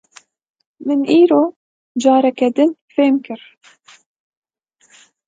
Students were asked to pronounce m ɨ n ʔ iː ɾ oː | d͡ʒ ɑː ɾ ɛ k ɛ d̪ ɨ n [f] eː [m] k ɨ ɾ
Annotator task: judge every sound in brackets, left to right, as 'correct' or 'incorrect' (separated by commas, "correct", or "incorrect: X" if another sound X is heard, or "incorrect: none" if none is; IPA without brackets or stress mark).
correct, correct